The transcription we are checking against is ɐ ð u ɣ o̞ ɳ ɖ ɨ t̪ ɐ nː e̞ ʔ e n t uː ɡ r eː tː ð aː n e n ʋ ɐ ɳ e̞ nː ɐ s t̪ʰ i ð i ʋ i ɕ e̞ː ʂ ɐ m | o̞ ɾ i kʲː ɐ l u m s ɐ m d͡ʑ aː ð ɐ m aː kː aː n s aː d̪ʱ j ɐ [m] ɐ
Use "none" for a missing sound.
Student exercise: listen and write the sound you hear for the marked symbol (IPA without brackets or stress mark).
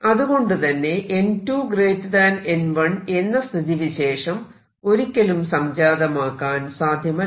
m